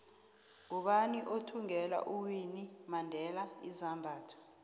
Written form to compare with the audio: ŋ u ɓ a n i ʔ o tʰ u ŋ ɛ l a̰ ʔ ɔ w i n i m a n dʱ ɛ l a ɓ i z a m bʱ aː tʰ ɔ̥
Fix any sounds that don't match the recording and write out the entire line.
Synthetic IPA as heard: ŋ u ɓ a n i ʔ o tʰ u ŋ ɛ l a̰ ʔ u w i n i m a n dʱ ɛ l a i z a m bʱ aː tʰ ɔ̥